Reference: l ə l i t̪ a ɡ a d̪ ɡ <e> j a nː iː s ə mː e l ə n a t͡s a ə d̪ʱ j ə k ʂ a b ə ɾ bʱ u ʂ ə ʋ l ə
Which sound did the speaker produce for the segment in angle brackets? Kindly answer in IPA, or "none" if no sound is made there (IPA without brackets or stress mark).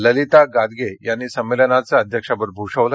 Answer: e